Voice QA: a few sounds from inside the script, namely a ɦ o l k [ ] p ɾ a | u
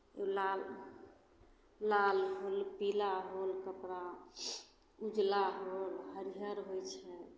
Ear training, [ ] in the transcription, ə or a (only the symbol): ə